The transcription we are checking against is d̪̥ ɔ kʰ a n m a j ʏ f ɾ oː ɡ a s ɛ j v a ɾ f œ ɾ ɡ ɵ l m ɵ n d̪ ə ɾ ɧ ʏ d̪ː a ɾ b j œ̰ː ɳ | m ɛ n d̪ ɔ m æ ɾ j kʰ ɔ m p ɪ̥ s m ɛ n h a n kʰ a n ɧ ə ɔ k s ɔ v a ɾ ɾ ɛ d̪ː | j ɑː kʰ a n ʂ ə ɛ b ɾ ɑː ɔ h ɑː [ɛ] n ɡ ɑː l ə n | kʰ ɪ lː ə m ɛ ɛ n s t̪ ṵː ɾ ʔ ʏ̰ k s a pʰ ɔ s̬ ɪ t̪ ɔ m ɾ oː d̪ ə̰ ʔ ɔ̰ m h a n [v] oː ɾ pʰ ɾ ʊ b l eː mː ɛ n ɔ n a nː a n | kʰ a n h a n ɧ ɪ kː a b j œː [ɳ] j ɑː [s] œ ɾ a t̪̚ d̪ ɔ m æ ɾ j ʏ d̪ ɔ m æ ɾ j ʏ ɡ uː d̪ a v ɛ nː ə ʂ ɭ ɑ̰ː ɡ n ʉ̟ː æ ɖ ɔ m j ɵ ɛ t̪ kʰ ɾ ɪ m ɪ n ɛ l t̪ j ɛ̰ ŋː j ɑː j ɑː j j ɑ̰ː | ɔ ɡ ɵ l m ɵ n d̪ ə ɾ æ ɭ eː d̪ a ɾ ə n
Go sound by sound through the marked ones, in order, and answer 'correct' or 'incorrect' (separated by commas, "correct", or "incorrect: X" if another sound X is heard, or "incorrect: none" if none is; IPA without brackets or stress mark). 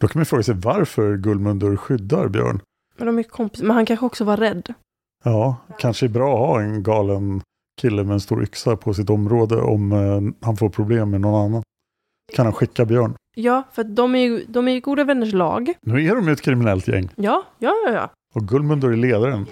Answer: correct, incorrect: f, correct, incorrect: f